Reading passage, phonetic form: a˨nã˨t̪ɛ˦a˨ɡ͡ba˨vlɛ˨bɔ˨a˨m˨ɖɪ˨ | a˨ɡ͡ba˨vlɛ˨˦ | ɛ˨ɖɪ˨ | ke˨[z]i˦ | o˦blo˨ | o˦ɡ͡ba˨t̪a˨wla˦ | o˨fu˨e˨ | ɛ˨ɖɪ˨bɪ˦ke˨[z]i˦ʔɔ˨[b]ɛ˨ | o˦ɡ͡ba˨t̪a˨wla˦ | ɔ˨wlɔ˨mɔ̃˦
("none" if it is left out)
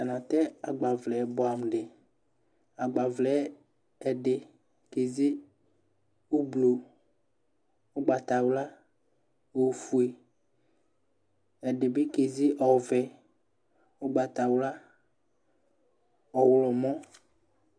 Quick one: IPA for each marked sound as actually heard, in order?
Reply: z, z, v

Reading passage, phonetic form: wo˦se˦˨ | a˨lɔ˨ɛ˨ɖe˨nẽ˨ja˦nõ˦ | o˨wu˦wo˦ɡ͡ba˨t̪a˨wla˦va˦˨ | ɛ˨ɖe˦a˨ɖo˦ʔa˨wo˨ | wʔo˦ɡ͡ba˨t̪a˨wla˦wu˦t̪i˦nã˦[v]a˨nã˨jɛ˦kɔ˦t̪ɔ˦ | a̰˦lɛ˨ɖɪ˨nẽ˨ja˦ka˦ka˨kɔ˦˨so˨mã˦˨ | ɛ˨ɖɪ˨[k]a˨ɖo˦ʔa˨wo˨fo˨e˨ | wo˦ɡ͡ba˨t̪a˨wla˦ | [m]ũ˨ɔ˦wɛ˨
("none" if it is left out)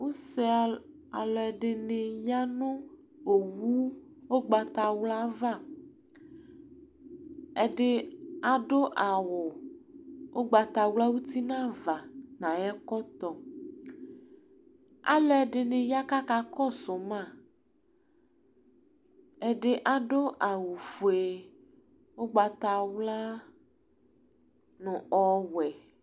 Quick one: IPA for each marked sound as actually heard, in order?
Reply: v, ʔ, n

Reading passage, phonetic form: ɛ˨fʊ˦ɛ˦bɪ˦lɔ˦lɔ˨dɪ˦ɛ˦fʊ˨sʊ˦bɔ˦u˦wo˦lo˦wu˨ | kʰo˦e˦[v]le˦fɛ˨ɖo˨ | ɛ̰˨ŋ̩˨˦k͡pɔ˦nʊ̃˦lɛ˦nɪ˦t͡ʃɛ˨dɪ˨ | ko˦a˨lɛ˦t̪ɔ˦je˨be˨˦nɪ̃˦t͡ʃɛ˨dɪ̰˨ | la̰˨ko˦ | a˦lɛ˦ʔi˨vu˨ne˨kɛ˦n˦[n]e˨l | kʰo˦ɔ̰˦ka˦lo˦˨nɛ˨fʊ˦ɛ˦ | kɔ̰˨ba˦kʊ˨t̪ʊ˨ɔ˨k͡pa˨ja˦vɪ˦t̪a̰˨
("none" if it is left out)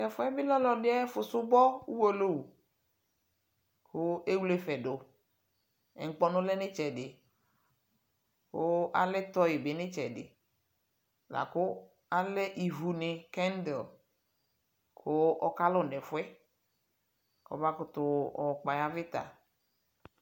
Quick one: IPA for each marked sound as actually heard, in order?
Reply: w, d

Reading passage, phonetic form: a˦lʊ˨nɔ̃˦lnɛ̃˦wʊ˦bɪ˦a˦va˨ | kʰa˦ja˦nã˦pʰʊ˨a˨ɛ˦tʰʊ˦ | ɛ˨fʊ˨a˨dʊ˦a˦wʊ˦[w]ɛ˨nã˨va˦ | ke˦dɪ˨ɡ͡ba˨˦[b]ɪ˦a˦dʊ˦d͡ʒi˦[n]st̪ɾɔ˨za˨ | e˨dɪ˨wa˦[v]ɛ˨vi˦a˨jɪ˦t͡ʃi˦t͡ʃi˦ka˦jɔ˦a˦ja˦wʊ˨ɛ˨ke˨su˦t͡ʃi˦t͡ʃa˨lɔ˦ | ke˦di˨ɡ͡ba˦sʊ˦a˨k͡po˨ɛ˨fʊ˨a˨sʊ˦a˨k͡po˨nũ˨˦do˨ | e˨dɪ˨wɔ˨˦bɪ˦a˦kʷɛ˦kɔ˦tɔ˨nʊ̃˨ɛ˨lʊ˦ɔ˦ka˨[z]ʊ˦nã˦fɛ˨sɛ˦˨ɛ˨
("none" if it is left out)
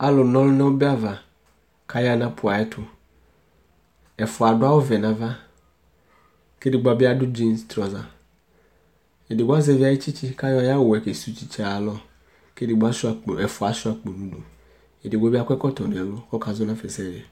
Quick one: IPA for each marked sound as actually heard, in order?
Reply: v, b, n, z, z

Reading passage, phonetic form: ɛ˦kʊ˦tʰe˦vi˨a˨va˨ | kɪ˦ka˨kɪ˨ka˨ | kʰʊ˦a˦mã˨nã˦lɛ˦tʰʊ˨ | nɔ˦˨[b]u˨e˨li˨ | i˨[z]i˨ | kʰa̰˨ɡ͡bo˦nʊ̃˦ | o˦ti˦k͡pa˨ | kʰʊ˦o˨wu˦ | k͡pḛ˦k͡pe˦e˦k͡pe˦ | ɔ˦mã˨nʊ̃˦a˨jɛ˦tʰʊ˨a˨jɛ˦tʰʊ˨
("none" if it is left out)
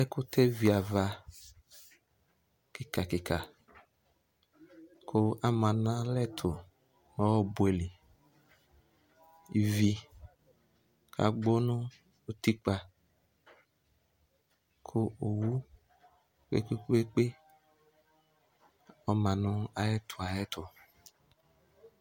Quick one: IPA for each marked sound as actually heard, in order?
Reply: b, v

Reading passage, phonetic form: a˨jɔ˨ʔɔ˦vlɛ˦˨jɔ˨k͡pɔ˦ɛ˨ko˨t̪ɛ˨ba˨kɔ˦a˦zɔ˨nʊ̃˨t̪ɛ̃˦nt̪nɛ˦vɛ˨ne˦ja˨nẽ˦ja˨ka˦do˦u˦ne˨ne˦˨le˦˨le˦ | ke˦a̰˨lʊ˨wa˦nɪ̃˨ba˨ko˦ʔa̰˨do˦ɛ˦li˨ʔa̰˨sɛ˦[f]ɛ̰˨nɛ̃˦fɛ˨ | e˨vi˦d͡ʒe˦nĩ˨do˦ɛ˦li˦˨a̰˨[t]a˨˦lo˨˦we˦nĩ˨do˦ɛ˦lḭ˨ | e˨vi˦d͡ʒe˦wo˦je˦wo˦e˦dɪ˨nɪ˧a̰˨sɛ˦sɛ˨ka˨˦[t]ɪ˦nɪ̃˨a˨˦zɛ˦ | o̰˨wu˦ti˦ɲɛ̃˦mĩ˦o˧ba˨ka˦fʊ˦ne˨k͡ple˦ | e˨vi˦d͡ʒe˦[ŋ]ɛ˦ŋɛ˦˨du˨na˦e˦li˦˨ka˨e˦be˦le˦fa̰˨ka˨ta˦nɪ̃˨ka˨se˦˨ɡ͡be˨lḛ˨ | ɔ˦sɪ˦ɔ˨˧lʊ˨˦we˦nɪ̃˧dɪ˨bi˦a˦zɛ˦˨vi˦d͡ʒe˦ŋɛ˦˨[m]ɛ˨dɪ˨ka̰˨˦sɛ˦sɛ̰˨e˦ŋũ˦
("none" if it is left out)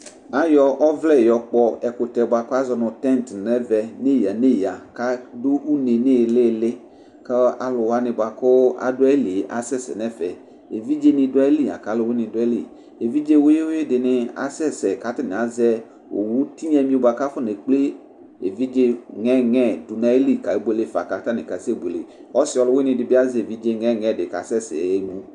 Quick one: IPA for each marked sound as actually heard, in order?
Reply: s, k, t, ŋ, ŋ

